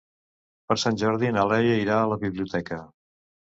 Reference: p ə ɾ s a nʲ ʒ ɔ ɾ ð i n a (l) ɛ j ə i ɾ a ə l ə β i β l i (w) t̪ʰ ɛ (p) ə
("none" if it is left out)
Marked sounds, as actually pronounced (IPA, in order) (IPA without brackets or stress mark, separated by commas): l, u, k